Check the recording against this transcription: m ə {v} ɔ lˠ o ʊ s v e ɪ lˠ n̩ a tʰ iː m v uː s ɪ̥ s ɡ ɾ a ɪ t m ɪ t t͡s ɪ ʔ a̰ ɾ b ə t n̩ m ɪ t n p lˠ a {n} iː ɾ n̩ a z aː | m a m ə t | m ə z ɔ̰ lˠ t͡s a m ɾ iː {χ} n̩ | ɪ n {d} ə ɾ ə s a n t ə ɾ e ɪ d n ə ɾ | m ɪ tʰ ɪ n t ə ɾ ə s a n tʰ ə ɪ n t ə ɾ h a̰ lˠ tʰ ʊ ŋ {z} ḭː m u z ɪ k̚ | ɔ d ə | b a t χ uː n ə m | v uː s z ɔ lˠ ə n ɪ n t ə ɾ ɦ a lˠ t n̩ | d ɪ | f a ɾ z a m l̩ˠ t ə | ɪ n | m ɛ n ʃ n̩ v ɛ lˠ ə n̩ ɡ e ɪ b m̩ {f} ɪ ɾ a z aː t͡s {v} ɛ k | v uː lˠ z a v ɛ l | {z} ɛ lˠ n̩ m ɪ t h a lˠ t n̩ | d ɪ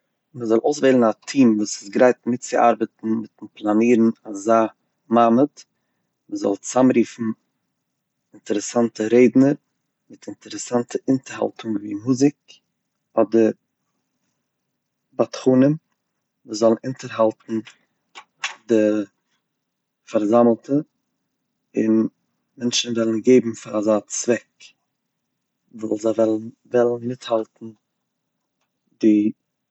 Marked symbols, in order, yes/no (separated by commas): no, yes, no, no, no, yes, yes, no